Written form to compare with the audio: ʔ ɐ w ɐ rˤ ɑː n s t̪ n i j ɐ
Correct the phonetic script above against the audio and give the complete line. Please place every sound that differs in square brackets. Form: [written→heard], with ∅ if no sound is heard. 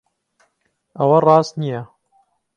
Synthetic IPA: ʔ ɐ w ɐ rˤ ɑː [n→∅] s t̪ n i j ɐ